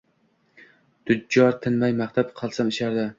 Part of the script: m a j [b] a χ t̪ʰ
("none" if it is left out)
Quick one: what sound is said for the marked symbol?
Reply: m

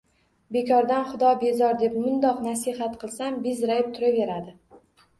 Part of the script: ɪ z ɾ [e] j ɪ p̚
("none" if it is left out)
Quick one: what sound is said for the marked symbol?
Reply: a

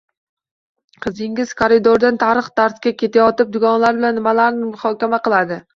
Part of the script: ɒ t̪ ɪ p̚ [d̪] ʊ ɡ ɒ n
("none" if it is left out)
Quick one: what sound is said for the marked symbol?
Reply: d̪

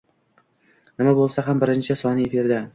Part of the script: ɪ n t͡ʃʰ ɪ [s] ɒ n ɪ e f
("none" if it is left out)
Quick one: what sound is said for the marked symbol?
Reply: s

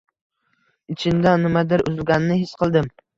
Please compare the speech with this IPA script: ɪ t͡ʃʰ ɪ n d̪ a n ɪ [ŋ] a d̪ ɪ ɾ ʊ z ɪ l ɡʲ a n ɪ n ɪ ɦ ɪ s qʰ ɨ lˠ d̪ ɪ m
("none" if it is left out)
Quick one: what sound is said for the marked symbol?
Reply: m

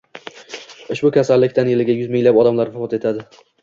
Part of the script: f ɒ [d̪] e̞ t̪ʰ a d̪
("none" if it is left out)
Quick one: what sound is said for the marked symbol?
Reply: t̪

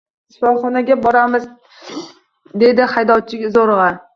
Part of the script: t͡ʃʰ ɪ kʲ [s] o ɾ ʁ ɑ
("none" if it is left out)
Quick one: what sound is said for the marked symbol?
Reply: z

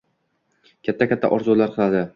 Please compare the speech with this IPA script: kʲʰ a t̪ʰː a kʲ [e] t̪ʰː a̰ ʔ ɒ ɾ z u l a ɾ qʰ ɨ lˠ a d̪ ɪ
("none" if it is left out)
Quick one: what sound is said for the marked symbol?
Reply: a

